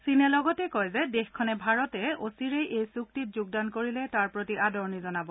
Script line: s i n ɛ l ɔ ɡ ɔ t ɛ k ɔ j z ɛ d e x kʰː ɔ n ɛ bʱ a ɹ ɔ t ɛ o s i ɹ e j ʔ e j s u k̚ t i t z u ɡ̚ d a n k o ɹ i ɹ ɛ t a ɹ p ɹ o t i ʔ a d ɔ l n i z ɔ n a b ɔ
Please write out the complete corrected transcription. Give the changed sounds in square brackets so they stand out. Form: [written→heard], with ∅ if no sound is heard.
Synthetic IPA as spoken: s i n ɛ l ɔ ɡ ɔ t ɛ k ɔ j z ɛ d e x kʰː ɔ n ɛ bʱ a ɹ ɔ t ɛ o s i ɹ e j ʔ e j s u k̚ t i t z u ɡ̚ d a n k o ɹ i [ɹ→l] ɛ t a ɹ p ɹ o t i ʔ a d ɔ [l→ɹ] n i z ɔ n a b ɔ